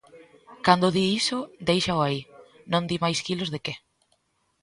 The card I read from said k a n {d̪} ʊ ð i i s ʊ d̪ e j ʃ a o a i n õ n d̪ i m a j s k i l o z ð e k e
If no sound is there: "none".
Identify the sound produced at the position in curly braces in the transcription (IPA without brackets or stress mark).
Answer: d̪